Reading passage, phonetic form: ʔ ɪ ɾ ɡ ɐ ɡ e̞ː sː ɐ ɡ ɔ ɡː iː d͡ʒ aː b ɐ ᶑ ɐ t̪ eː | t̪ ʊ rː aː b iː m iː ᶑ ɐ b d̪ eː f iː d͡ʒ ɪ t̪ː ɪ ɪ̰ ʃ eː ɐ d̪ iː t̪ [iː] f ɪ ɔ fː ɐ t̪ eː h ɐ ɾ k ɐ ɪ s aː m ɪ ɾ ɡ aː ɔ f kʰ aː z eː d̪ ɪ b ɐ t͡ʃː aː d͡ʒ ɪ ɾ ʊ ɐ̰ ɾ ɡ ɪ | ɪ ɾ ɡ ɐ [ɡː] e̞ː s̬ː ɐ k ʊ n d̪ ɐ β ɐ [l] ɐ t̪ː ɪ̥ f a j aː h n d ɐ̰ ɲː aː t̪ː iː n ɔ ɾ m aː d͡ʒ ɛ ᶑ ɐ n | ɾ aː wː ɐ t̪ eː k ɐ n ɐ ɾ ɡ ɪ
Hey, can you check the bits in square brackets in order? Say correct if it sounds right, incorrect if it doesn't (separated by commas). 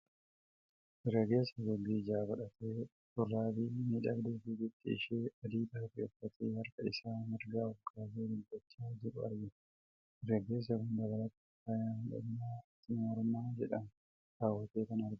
incorrect, incorrect, correct